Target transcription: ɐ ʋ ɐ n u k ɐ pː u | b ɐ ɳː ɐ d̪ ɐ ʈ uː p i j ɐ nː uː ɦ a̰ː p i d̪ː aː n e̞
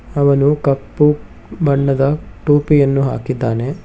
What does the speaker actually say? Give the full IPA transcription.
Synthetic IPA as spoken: ɐ ʋ ɐ n u k ɐ pː u | b ɐ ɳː ɐ d̪ ɐ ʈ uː p i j ɐ nː u ɦ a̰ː k i d̪ː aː n e̞